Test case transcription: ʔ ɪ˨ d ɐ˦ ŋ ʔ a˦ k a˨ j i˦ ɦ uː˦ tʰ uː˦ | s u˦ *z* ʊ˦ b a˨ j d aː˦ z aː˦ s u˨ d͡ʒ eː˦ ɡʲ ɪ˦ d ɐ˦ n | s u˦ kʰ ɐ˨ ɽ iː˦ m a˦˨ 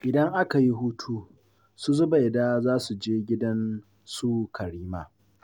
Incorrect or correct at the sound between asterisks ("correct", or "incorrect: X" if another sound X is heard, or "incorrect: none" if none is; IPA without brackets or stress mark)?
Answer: correct